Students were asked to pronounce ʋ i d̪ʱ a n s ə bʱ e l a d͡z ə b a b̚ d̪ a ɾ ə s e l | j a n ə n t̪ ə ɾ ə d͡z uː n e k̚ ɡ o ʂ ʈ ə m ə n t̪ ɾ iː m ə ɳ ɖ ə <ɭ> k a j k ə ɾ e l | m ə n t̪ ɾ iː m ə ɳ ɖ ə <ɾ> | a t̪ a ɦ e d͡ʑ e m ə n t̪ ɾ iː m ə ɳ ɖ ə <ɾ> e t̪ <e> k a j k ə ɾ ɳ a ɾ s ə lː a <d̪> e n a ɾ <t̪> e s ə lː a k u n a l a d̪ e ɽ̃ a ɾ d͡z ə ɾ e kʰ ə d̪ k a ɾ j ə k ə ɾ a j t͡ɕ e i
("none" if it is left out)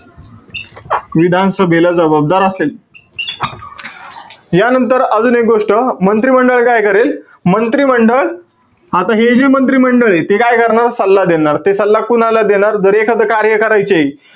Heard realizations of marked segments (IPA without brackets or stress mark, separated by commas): ɭ, ɭ, ɭ, e, d̪, t̪